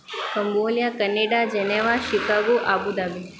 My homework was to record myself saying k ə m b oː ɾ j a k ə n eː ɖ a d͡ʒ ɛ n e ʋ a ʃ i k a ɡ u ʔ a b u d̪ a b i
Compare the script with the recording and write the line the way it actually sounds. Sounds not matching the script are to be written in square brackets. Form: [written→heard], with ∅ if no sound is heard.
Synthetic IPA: k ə m b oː [ɾ→l] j a k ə n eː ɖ a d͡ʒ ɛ n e ʋ a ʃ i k a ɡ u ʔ a b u d̪ a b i